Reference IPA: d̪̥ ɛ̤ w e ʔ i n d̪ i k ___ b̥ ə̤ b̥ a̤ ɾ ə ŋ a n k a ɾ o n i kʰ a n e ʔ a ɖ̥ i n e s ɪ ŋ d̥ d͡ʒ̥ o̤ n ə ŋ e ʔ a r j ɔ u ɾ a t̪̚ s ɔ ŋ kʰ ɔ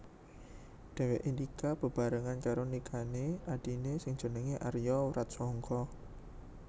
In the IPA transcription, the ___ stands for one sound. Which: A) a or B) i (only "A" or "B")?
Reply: A